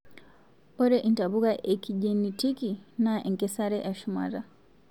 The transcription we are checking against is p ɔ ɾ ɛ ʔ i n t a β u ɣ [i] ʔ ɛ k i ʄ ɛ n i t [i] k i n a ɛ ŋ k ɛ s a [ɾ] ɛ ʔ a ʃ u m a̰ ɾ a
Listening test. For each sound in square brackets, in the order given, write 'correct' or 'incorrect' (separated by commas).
incorrect, correct, correct